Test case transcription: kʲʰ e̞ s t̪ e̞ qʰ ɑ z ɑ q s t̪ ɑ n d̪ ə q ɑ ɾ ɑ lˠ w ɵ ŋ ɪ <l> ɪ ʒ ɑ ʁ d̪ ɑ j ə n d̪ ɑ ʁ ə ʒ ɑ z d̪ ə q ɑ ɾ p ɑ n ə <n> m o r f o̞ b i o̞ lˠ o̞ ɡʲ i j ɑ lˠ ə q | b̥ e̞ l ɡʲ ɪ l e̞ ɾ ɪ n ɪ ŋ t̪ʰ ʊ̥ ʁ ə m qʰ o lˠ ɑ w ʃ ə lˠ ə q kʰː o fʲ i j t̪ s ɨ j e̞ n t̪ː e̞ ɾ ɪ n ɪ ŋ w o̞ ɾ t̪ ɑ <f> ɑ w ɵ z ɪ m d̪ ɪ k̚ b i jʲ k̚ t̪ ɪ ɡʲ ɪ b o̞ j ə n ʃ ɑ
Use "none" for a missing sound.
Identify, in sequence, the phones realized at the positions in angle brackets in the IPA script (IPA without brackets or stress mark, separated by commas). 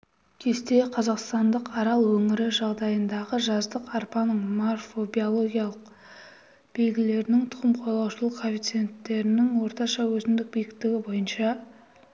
ɾ, ɴ, ʃ